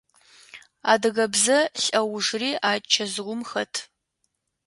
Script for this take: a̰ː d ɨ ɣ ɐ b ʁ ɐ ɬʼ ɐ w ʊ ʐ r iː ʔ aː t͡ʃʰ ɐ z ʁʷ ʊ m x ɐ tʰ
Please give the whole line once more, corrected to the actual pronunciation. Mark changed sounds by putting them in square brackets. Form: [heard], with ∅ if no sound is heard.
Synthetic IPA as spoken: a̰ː d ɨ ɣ ɐ b [z] ɐ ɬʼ ɐ w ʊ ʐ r iː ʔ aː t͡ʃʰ ɐ z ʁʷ ʊ m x ɐ tʰ